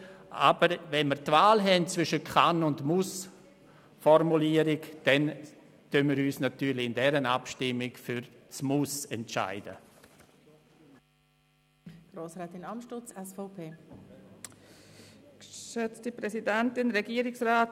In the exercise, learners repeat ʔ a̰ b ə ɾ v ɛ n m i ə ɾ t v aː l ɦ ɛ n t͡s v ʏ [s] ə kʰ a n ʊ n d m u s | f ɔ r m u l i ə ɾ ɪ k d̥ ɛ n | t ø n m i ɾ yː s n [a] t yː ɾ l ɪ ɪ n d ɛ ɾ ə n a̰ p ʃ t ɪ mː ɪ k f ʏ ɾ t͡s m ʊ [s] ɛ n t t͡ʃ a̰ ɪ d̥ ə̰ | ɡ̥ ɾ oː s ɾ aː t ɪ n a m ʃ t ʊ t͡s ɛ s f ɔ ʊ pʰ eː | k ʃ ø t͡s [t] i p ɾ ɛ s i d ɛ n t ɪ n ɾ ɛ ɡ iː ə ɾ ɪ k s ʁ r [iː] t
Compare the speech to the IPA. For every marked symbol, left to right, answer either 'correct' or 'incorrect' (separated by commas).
incorrect, correct, correct, correct, incorrect